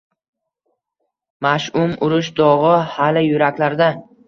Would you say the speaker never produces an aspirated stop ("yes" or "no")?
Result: yes